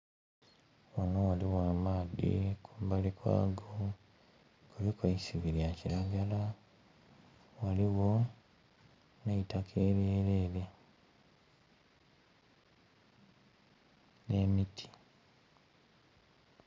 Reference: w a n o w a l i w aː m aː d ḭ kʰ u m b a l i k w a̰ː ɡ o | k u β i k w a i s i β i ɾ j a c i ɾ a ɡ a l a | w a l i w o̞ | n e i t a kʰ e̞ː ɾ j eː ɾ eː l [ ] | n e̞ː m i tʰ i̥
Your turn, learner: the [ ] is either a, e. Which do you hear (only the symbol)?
e